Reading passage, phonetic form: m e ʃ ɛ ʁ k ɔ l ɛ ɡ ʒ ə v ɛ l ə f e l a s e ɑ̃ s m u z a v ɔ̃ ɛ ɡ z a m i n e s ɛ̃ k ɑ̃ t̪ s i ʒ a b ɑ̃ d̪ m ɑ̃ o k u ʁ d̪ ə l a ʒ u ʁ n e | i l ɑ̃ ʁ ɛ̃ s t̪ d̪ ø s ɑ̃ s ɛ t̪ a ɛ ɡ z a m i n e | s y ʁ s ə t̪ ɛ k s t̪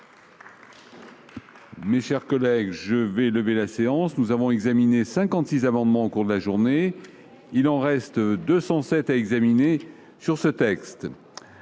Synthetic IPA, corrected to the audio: m e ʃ ɛ ʁ k ɔ l ɛ ɡ ʒ ə v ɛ l ə v e l a s e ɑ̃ s n u z a v ɔ̃ ɛ ɡ z a m i n e s ɛ̃ k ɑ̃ t̪ s i z a m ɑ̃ d̪ m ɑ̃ o k u ʁ d̪ ə l a ʒ u ʁ n e | i l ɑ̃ ʁ ɛ s t̪ d̪ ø s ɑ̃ s ɛ t̪ a ɛ ɡ z a m i n e | s y ʁ s ə t̪ ɛ k s t̪